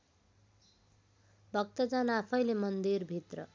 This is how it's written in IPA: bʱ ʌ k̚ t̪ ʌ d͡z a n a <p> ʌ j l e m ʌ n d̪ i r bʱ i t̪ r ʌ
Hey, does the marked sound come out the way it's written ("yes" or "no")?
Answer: no